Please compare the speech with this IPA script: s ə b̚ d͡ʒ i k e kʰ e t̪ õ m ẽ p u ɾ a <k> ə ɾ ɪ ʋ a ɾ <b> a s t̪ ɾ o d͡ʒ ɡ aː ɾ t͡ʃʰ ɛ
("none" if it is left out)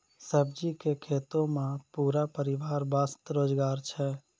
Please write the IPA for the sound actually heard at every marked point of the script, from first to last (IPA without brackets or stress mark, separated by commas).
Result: p, b